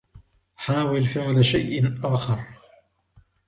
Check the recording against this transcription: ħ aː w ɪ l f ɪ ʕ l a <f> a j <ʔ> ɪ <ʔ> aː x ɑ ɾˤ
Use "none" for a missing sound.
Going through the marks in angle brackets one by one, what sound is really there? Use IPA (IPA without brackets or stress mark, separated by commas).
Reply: ʃ, ʔ, ʔ